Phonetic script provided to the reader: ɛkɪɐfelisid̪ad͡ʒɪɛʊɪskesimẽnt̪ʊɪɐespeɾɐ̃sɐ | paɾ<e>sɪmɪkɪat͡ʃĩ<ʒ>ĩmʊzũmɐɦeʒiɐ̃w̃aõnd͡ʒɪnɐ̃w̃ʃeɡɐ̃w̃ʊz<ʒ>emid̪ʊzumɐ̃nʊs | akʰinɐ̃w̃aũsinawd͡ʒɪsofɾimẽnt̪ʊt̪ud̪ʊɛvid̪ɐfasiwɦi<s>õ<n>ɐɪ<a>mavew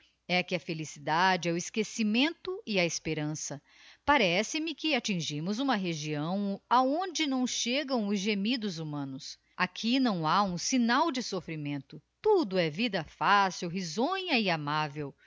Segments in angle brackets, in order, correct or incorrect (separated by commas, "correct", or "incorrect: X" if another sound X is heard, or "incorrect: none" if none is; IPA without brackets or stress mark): incorrect: ɛ, correct, correct, incorrect: z, incorrect: ɲ, correct